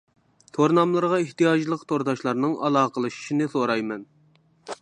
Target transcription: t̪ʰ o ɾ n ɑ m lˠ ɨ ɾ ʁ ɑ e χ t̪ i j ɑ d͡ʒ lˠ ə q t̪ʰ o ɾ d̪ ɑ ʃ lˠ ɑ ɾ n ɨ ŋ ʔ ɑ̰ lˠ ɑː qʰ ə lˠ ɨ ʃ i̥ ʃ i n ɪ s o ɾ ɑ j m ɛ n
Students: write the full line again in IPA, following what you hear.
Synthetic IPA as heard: t̪ʰ o ɾ n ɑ m lˠ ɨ ɾ ʁ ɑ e h t̪ i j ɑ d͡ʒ lˠ ə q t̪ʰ o ɾ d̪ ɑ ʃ lˠ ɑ ɾ n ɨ ŋ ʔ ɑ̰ lˠ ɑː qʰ ə lˠ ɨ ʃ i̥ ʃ i n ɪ s o ɾ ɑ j m ɛ n

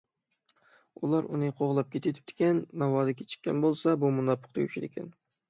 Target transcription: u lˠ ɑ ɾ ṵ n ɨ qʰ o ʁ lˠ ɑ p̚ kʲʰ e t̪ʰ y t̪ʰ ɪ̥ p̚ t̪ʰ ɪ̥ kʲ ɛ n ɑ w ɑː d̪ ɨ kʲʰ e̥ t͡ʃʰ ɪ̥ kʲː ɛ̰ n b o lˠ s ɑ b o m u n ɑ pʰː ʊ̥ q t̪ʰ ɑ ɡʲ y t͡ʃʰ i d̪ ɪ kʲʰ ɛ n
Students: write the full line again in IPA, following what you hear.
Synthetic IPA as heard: u lˠ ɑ ɾ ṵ n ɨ qʰ o ʁ lˠ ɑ p̚ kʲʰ e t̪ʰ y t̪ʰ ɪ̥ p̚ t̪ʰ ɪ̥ kʲ ɛ nː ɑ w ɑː d̪ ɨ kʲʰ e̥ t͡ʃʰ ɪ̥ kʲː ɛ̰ n b o lˠ s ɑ b u m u n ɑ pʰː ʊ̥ q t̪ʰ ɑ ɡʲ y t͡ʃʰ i d̪ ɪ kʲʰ ɛ n

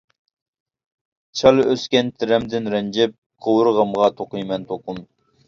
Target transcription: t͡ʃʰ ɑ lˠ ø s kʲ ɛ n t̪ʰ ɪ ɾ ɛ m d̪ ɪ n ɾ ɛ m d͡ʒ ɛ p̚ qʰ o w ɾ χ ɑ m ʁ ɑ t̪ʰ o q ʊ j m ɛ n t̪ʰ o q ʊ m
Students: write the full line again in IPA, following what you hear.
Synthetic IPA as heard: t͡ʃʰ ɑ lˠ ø s kʲ ɛ n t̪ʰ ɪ ɾ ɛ m d̪ ɪ n ɾ ɛ n d͡ʒ ɛ p̚ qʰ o w ɾ ʁ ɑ m ʁ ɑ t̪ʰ o q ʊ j m ɛ n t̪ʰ o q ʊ m

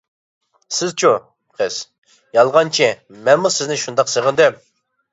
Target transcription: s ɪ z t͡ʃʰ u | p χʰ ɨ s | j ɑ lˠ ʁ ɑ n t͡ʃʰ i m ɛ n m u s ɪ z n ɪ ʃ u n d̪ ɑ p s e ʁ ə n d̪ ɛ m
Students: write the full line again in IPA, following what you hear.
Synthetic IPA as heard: s ɪ z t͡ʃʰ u | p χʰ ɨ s | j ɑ lˠ ʁ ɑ n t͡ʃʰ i m ɛ n m u s ɪ z n ɪ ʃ u n d̪ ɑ q s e ʁ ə n d̪ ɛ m

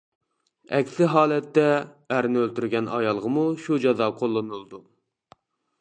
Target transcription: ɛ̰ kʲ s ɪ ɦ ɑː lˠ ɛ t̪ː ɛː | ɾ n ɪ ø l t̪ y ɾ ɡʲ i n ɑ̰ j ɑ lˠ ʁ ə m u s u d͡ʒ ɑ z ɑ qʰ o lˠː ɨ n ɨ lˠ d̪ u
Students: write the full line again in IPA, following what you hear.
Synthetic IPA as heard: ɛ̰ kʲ s ɪ ɦ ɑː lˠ ɛ t̪ː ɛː | ɾ n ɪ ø l t̪ y ɾ ɡʲ ɛ n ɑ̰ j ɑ lˠ ʁ ə m u ʃ u d͡ʒ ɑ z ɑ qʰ o lˠː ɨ n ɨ lˠ d̪ u

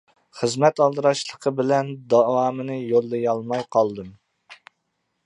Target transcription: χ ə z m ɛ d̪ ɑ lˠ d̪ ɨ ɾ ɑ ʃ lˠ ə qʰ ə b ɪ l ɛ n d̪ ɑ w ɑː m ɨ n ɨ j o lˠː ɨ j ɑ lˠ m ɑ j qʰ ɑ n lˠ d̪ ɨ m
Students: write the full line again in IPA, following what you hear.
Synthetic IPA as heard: χ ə z m ɛ t̪ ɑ lˠ d̪ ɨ ɾ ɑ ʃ lˠ ə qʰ ə b ɪ l ɛ n d̪ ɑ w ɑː m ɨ n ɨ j o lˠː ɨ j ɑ lˠ m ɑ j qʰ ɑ lˠ d̪ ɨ m

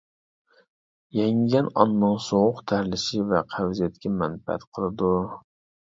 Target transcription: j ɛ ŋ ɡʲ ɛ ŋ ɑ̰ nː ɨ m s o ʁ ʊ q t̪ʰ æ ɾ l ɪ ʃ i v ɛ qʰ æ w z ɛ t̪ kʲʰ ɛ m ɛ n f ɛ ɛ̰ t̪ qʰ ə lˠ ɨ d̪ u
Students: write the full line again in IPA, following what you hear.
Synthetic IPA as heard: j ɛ ŋ ɡʲ ɛ n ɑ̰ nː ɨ ŋ s o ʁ ʊ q t̪ʰ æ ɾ l ɪ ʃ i v ɛ qʰ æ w z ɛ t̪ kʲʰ ɛ m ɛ n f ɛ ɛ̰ t̪ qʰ ə lˠ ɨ d̪ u

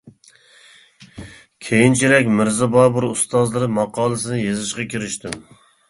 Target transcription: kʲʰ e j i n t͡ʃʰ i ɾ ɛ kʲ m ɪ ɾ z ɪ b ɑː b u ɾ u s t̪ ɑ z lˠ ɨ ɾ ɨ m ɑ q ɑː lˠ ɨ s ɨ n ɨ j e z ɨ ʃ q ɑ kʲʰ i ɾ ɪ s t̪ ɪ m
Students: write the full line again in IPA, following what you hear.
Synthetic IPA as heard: kʲʰ e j i n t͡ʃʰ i ɾ ɛ kʲ m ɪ ɾ z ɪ b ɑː b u ɾ u s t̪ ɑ z lˠ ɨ ɾ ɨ m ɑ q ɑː lˠ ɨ s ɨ n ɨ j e z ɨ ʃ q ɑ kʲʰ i ɾ ɪ ʃ t̪ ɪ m

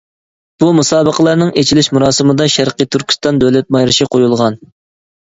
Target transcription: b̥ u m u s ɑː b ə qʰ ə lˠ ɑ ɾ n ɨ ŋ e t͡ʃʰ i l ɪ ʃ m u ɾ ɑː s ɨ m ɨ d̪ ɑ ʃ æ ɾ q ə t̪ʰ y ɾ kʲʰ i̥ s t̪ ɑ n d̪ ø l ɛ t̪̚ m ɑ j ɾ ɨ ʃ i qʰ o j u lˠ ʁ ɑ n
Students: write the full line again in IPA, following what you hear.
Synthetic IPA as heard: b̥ u m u s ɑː b ə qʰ ə lˠ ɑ ɾ n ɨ ŋ e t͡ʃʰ i l ɪ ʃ m u ɾ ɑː s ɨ m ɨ d̪ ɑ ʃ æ ɾ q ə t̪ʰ y ɾ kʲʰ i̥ s t̪ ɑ n d̪ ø l ɛ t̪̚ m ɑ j ɾ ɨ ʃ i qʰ o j u lˠ ʁ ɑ n

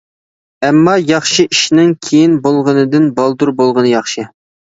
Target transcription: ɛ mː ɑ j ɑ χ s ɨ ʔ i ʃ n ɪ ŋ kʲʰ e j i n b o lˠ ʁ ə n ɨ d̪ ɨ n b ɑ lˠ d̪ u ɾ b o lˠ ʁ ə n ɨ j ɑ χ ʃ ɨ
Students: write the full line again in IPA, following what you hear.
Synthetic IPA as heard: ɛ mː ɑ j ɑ χ ʃ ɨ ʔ i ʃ n ɪ ŋ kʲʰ e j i n b o lˠ ʁ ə n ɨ d̪ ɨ n b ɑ lˠ d̪ u ɾ b o lˠ ʁ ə n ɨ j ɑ χ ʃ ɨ

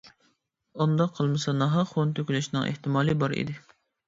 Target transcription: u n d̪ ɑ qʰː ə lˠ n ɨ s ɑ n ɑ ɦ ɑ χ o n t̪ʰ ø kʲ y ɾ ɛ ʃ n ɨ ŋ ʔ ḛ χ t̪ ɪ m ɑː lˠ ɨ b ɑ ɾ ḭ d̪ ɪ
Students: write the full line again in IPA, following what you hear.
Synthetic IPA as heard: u n d̪ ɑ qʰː ə lˠ m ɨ s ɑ n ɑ ɦ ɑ χ o n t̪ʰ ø kʲ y l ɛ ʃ n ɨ ŋ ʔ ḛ h t̪ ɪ m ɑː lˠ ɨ b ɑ ɾ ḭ d̪ ɪ

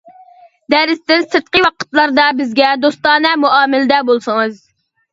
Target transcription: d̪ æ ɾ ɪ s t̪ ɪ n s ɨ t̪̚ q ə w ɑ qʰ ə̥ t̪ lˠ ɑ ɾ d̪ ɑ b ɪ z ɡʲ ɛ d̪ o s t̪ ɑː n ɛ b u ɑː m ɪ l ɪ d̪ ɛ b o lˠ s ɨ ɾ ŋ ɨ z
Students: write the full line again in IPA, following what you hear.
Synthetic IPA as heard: d̪ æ ɾ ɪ s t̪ ɪ n s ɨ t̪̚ q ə w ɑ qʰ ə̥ t̪ lˠ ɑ ɾ d̪ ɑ b ɪ z ɡʲ ɛ d̪ o s t̪ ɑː n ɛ m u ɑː m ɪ l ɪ d̪ ɛ b o lˠ s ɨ ŋ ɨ z

